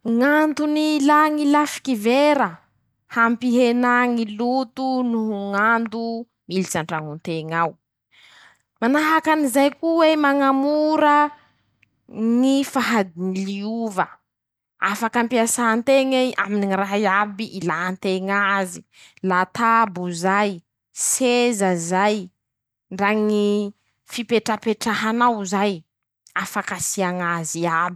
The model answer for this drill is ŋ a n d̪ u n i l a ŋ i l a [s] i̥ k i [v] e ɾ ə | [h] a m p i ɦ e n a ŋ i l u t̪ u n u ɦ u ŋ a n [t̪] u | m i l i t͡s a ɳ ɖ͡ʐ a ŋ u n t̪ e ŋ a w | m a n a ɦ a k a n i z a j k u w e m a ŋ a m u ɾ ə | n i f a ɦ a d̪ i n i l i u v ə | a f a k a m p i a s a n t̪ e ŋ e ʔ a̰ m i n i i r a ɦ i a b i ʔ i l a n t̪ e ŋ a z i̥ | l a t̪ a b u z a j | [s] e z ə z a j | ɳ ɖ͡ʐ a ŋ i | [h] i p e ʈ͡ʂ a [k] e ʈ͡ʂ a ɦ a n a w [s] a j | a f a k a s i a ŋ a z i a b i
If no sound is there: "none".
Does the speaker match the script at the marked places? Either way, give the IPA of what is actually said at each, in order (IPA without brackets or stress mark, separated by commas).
f, v, h, d̪, s, f, p, z